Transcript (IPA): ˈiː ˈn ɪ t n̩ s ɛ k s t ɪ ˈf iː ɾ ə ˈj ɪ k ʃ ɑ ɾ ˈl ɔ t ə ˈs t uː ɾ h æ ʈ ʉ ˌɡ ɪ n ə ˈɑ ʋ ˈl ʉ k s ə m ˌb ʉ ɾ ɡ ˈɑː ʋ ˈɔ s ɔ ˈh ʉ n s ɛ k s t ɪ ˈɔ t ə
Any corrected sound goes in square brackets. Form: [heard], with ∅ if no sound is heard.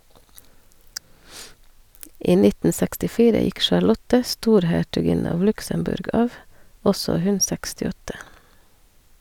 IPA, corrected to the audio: ˈiː ˈn ɪ t n̩ s ɛ k s t ɪ ˈf iː ɾ ə ˈj ɪ k ʃ ɑ ɾ ˈl ɔ t ə ˈs t uː ɾ h æ ʈ ʉ ˌɡ ɪ n ə ˈɑ ʋ ˈl ʉ k s ə m ˌb ʉ ɾ ɡ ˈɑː ʋ ˈɔ s ɔ ˈh ʉ n s ɛ k s t ɪ ˈɔ t ə